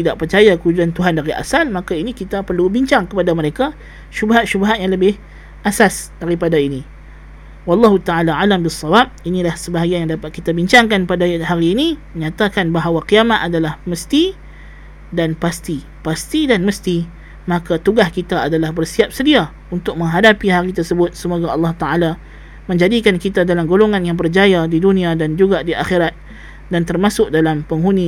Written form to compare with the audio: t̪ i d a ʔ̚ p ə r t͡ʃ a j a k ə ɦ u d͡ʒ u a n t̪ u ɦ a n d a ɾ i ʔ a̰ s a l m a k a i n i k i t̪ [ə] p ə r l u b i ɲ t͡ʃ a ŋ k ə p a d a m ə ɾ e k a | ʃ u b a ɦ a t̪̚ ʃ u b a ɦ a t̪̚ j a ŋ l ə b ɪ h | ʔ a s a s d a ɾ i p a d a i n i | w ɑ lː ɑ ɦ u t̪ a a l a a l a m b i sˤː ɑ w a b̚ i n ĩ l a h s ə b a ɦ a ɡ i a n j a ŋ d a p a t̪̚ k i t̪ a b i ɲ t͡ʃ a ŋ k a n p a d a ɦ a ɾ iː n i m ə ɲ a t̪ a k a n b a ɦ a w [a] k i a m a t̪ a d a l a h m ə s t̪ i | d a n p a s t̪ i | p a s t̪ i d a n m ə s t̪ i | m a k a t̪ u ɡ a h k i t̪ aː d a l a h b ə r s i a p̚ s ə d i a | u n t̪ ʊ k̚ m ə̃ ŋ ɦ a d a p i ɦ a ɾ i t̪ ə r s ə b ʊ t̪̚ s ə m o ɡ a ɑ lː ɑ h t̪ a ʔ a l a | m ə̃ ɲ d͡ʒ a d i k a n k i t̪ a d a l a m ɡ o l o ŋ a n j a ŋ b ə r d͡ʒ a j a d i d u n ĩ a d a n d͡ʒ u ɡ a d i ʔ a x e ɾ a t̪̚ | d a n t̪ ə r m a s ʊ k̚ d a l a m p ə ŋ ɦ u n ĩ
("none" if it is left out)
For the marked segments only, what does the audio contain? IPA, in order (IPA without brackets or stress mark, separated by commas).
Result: a, a